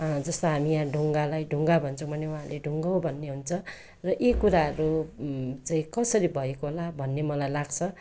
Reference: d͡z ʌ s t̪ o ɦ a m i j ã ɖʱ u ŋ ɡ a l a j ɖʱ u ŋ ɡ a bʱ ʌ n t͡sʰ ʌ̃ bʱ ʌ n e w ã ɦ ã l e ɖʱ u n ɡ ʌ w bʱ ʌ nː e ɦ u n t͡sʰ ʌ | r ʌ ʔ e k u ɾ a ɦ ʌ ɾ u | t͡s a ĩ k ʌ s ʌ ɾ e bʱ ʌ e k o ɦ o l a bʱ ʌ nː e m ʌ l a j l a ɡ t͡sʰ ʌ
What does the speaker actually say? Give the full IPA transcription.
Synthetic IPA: d͡z ʌ s t̪ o ɦ a m i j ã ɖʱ u ŋ ɡ a l a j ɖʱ u ŋ ɡ a bʱ ʌ n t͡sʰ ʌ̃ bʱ ʌ n e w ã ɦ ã l e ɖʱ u ŋ ɡ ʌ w bʱ ʌ nː e ɦ u n t͡sʰ ʌ | r ʌ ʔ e k u ɾ a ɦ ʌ ɾ u | t͡s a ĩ k ʌ s ʌ ɾ i bʱ ʌ e k o ɦ o l a bʱ ʌ nː e m ʌ l a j l a ɡ t͡sʰ ʌ

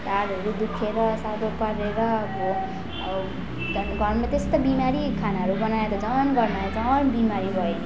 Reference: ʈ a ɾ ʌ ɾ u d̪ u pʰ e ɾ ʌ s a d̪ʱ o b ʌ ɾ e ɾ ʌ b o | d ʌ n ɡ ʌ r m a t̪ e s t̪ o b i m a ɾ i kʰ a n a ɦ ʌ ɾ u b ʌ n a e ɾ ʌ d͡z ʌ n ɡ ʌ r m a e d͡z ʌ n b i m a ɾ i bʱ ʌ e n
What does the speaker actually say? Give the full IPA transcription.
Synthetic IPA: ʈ a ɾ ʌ ɾ u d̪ u kʰ e ɾ ʌ s a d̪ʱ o p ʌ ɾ e ɾ ʌ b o | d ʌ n ɡ ʌ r m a t̪ e s t̪ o b i m a ɾ i kʰ a n a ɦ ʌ ɾ u b ʌ n a e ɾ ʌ d͡z ʌ n ɡ ʌ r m a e d͡z ʌ n b i m a ɾ i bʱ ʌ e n

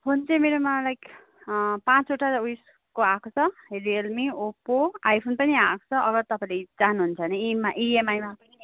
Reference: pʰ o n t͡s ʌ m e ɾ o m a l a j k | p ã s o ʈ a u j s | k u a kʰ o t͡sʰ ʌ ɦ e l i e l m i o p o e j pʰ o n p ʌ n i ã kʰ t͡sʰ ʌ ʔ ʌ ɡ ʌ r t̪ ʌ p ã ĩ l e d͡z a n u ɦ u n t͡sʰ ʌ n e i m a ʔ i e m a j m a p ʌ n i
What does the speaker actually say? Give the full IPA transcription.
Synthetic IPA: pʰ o n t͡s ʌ m e ɾ o m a l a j k | p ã t͡s o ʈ a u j s | k o a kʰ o t͡sʰ ʌ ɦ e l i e l m i o p o a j pʰ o n p ʌ n i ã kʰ t͡sʰ ʌ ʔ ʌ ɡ ʌ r t̪ ʌ p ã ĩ l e d͡z a n u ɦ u n t͡sʰ ʌ n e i m a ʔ i e m a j m a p ʌ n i

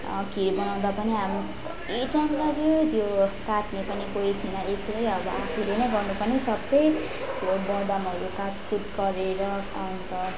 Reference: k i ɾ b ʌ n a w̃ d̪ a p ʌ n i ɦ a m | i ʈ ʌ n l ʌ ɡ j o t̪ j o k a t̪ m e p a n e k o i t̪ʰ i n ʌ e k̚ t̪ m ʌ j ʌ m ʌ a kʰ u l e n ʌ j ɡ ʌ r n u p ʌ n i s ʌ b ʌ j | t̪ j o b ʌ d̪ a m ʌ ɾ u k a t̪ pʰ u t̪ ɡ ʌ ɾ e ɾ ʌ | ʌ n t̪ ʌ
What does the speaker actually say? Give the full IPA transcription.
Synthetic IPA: k i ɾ b ʌ n a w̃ d̪ a p ʌ n i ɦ a m | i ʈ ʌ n l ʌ ɡ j o t̪ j o k a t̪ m e p ʌ n i k o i t̪ʰ i n ʌ e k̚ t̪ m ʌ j ʌ b ʌ a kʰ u l e n ʌ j ɡ ʌ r n u p ʌ n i s ʌ b ʌ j | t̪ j o b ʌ d̪ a m ʌ ɾ u k a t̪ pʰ u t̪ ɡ ʌ ɾ e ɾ ʌ | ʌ n t̪ ʌ

